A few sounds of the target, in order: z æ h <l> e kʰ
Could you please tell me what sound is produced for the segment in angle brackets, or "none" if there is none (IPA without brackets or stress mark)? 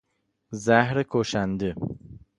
ɾ